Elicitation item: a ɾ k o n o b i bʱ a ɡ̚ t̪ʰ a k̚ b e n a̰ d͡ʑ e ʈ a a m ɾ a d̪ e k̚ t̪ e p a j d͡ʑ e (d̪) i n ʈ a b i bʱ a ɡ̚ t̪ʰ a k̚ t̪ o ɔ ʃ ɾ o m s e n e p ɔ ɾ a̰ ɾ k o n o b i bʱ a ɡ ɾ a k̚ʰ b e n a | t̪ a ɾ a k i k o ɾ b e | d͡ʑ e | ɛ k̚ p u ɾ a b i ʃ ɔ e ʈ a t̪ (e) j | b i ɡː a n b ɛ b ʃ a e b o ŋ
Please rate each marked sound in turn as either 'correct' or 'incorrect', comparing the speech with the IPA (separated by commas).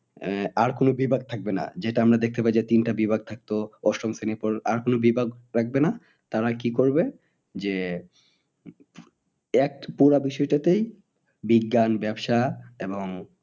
incorrect, correct